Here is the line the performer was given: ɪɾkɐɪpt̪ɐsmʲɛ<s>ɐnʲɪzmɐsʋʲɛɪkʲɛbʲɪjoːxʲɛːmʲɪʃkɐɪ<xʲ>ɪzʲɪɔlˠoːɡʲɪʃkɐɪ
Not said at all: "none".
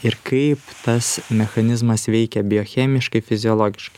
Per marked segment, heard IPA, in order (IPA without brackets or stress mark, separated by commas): x, fʲ